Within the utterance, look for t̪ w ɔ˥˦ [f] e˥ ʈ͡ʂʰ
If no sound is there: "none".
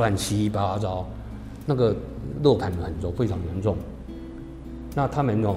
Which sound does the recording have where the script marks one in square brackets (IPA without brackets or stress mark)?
f